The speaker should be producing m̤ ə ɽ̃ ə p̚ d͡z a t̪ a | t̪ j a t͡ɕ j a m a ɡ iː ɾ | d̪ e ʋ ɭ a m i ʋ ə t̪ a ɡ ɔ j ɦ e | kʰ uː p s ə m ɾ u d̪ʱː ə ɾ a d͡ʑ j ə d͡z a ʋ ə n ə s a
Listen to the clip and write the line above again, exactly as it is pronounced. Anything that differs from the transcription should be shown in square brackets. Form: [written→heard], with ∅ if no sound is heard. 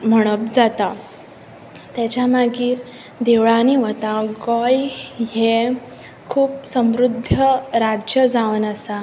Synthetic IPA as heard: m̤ ə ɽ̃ ə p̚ d͡z a t̪ a | t̪ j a t͡ɕ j a m a ɡ iː ɾ | d̪ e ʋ ɭ a [m→n] i ʋ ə t̪ a ɡ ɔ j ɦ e | kʰ uː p s ə m ɾ u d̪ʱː ə ɾ a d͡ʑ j ə d͡z a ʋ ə n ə s a